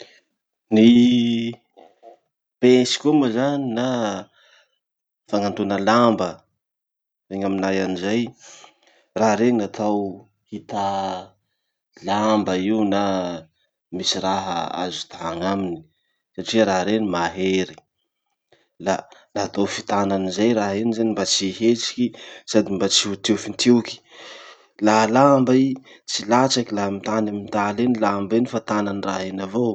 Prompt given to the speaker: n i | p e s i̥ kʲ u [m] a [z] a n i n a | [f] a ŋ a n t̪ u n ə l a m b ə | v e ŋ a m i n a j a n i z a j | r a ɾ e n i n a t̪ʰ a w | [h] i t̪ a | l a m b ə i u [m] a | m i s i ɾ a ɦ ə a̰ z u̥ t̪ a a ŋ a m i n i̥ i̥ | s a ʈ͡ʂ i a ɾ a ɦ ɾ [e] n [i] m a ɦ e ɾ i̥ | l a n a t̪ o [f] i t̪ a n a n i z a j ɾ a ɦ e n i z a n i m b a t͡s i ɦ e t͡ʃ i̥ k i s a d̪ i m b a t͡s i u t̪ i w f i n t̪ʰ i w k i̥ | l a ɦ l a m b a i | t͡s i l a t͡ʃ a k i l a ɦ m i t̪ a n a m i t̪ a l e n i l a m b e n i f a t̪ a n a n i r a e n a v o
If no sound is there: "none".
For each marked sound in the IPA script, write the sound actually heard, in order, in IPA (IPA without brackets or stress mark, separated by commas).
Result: m, z, f, h, n, e, i, f